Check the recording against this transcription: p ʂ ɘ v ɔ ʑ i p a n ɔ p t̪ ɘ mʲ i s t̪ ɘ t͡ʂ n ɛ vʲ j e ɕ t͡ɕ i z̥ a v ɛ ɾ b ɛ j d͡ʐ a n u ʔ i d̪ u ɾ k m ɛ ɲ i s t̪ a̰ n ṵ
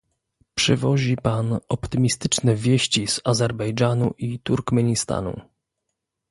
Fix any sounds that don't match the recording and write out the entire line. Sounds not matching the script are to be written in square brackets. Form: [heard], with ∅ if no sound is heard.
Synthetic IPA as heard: p ʂ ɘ v ɔ ʑ i p a n ɔ p t̪ ɘ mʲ i s t̪ ɘ t͡ʂ n ɛ vʲ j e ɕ t͡ɕ i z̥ a [z] ɛ ɾ b ɛ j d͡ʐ a n u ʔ i [t̪] u ɾ k m ɛ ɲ i s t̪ a̰ n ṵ